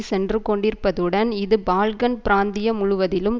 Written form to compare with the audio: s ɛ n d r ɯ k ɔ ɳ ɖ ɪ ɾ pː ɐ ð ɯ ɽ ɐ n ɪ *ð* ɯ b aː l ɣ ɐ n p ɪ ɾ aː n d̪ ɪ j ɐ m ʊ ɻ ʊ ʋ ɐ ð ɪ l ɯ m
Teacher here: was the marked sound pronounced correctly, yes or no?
yes